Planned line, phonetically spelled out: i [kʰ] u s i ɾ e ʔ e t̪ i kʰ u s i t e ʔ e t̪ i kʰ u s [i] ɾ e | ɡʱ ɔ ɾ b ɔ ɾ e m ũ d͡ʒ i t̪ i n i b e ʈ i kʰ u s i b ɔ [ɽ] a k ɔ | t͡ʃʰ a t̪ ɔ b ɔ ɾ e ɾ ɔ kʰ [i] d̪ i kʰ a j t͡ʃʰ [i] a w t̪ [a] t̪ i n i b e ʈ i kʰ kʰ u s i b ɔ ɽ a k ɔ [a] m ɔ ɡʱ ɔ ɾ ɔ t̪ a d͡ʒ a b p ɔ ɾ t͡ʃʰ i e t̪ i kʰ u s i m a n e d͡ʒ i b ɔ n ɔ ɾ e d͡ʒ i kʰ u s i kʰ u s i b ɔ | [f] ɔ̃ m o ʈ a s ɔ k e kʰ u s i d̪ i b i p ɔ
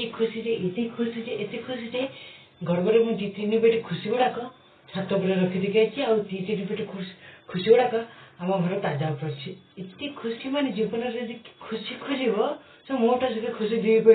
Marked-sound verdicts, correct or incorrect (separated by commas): correct, correct, correct, correct, correct, incorrect, correct, incorrect